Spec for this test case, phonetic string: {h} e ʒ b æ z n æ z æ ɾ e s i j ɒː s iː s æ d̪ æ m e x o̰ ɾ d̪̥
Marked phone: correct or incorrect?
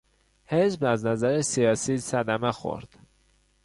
correct